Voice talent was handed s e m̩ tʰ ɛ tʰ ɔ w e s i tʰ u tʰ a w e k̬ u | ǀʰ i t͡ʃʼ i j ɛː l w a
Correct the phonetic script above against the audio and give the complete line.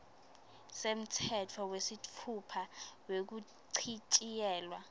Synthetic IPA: s e m̩ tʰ ɛ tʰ ɔ w e s i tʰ u pʰ a w e k̬ u | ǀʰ i t͡ʃʼ i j ɛː l w a